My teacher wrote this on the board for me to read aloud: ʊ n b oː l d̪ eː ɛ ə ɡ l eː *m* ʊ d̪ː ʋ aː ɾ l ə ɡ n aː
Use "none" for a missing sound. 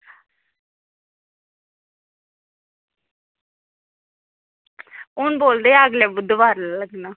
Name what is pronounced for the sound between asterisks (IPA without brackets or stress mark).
b